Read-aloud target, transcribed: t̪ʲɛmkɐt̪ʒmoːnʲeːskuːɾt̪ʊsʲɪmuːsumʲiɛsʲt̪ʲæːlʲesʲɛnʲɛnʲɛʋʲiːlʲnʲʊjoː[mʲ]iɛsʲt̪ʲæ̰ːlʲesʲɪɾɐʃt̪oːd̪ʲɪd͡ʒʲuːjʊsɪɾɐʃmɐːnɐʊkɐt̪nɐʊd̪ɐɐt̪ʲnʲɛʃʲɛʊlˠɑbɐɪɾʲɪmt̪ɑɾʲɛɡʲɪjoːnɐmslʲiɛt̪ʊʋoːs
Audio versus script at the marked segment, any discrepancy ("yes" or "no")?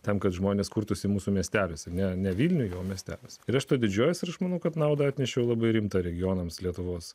no